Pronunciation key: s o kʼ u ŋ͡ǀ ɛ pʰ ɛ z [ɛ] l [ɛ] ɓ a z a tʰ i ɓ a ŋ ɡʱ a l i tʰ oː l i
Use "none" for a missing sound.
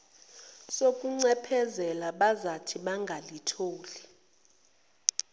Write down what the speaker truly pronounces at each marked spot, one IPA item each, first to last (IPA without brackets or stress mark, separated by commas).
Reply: ɛ, a